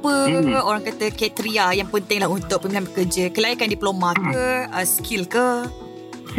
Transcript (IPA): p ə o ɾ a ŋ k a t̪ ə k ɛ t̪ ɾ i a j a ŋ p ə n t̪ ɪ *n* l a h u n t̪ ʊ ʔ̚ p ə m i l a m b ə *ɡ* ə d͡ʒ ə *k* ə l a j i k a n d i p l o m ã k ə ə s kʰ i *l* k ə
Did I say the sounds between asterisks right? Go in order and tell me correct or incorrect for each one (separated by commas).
incorrect, incorrect, correct, correct